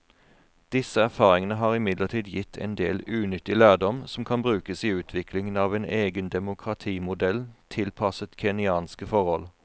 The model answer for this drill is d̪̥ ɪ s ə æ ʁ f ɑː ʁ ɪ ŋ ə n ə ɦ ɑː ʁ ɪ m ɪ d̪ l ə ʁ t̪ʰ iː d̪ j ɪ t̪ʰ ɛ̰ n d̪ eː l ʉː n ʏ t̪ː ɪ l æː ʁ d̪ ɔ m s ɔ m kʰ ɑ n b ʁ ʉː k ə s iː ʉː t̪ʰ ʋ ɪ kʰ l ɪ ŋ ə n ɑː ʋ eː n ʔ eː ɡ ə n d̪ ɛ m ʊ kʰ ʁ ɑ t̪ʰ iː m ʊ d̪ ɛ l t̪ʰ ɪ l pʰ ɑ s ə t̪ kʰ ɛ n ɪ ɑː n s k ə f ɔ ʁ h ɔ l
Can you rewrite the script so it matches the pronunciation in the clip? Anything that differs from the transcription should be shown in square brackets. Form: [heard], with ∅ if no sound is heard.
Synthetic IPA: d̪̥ ɪ s ə æ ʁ f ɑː ʁ ɪ ŋ ə n ə ɦ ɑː ʁ ɪ m ɪ d̪ l ə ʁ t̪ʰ iː d̪ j ɪ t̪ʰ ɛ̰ n d̪ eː l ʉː n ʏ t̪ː ɪ l æː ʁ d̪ ɔ m s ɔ m kʰ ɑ n b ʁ ʉː k ə s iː ʉː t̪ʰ ʋ ɪ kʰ l ɪ ŋ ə n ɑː ʋ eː n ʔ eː ɡ ə n d̪ ɛ m ʊ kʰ ʁ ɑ t̪ʰ iː m ʊ d̪ ɛ l t̪ʰ ɪ l pʰ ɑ s ə t̪ kʰ ɛ n ɪ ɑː n s k ə f ɔ ʁ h ɔ l